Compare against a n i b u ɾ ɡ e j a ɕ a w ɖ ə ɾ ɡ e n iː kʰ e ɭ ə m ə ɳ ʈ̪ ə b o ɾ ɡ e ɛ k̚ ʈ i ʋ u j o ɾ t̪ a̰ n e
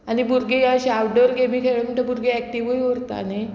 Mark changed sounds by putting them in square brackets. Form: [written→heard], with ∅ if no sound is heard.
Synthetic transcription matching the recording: a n i b u ɾ ɡ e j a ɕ a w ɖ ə ɾ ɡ e [n→m] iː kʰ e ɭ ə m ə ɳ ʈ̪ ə b [o→u] ɾ ɡ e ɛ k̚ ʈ i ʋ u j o ɾ t̪ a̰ n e